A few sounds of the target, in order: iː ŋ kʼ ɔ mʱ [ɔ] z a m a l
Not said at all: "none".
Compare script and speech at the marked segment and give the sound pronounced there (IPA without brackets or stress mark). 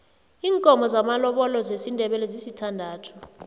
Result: ɔ